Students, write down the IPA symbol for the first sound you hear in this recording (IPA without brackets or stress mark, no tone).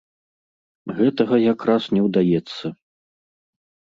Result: ɣ